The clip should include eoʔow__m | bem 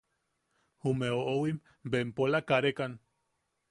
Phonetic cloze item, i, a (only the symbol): i